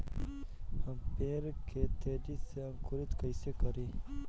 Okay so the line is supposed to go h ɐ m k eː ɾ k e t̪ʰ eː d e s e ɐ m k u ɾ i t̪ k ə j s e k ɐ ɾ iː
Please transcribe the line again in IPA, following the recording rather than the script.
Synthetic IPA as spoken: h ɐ m p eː ɾ k e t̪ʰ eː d i s e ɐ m k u ɾ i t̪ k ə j s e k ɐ ɾ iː